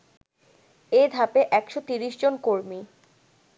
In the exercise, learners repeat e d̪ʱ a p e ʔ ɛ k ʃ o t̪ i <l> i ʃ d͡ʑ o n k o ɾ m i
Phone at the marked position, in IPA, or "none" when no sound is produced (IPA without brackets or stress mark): ɾ